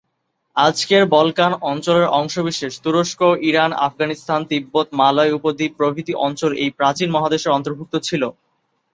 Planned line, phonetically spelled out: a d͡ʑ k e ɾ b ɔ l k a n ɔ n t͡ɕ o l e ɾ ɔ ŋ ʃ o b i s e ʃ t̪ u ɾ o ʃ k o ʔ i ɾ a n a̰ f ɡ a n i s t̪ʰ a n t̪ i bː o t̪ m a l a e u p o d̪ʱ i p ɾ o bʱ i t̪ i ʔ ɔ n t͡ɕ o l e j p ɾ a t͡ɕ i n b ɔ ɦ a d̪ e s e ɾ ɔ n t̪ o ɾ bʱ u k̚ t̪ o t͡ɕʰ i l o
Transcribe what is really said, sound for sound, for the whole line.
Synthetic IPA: a d͡ʑ k e ɾ b ɔ l k a n ɔ n t͡ɕ o l e ɾ ɔ ŋ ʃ o b i ʃ e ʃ t̪ u ɾ o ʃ k o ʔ i ɾ a n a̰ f ɡ a n i s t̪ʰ a n t̪ i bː o t̪ m a l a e u p o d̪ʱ i p ɾ o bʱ i t̪ i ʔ ɔ n t͡ɕ o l e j p ɾ a t͡ɕ i n m ɔ ɦ a d̪ e ʃ e ɾ ɔ n t̪ o ɾ bʱ u k̚ t̪ o t͡ɕʰ i l o